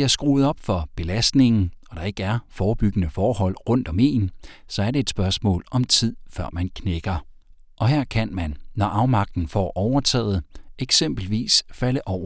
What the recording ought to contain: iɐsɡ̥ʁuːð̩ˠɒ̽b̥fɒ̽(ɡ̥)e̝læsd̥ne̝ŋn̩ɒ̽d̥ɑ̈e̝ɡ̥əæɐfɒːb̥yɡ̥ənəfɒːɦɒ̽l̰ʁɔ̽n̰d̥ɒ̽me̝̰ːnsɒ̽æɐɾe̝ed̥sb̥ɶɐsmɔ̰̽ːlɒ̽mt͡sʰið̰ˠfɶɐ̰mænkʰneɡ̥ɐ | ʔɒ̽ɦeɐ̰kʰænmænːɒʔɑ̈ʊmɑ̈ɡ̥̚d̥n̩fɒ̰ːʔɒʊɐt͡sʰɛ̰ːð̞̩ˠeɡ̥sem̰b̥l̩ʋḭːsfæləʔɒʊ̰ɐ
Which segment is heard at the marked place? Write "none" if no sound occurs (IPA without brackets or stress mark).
b̥